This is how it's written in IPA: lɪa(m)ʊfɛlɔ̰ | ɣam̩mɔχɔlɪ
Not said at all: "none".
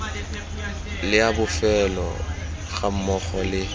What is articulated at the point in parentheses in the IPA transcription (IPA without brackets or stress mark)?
b